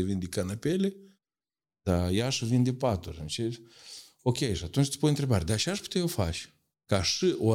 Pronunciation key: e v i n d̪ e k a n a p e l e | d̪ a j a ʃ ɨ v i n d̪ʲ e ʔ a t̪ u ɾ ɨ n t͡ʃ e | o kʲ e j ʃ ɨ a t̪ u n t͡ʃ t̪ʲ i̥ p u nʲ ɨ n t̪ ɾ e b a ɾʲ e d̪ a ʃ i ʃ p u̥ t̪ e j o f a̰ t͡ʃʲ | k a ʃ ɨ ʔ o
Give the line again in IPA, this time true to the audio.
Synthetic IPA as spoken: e v i n d̪ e k a n a p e l e | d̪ a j a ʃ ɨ v i n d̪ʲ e p a t̪ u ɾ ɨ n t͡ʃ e | o kʲ e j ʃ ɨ a t̪ u n t͡ʃ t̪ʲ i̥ p u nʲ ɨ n t̪ ɾ e b a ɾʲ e d̪ a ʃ a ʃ p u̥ t̪ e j o f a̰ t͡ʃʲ | k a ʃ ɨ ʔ o